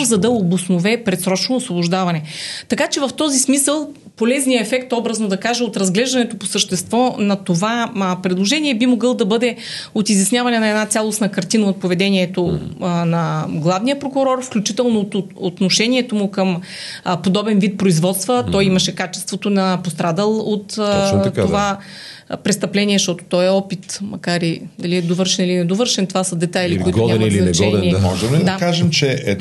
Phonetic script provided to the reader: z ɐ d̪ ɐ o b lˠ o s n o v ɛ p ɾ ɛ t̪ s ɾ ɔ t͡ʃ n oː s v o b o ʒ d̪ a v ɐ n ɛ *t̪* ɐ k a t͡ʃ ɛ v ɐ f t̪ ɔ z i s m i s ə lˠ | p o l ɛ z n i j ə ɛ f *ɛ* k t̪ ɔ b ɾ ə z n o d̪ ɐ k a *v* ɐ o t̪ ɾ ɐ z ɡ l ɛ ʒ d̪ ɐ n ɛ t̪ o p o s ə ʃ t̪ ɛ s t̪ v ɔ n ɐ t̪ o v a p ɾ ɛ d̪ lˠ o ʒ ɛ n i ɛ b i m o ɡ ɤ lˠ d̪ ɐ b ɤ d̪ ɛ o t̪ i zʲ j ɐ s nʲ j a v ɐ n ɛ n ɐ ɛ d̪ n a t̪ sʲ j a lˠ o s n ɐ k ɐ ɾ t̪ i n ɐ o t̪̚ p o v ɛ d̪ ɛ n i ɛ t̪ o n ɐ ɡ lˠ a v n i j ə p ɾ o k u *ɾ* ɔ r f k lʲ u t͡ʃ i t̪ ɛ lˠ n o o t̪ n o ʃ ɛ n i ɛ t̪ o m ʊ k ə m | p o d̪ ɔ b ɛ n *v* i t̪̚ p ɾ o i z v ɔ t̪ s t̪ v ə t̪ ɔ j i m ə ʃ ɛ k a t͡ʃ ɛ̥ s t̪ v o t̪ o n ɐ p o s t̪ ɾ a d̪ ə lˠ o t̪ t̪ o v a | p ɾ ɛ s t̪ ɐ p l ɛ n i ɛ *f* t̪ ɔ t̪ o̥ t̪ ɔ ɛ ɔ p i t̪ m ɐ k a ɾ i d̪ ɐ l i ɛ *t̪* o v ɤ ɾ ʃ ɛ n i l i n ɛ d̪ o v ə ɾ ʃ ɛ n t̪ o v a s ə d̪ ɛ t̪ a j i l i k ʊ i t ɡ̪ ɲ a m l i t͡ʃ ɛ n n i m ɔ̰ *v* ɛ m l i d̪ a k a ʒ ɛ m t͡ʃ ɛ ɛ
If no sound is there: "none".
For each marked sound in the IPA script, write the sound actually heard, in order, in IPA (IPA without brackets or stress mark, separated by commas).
t̪, ɛ, ʒ, ɾ, v, ʃ, d̪, ʒ